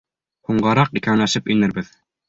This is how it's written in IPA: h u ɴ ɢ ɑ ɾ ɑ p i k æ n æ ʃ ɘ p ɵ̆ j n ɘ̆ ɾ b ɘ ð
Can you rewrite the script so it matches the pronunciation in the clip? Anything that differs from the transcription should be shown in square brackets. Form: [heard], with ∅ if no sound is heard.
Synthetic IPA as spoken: h u ɴ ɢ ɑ ɾ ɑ [q] i k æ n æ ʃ ɘ p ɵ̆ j n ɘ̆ ɾ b ɘ ð